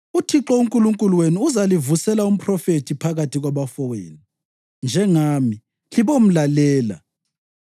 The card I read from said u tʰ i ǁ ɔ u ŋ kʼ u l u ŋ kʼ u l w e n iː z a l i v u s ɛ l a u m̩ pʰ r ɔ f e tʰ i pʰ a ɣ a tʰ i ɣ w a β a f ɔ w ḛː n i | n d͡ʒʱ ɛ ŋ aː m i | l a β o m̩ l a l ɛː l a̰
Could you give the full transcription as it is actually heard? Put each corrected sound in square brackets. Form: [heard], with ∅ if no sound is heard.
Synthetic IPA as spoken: u tʰ i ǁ ɔ u ŋ kʼ u l u ŋ kʼ u l w e n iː z a l i v u s ɛ l a u m̩ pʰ r ɔ f e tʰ i pʰ a ɣ a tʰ i ɣ w a β a f ɔ w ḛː n i | n d͡ʒʱ ɛ ŋ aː m i | l [i] β o m̩ l a l ɛː l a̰